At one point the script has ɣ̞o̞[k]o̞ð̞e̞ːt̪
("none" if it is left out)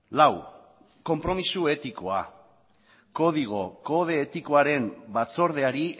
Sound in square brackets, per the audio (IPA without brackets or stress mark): k